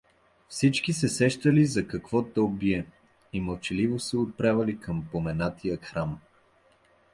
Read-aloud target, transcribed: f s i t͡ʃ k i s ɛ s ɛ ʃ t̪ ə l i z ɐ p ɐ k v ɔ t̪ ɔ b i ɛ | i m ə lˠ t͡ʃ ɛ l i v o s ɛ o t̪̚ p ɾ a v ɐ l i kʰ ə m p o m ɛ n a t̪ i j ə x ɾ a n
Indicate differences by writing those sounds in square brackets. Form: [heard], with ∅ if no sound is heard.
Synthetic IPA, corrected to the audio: f s i t͡ʃ k i s ɛ s ɛ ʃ t̪ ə l i z ɐ [k] ɐ k v ɔ t̪ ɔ b i ɛ | i m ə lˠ t͡ʃ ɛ l i v o s ɛ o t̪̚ p ɾ a v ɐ l i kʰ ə m p o m ɛ n a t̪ i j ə x ɾ a [m]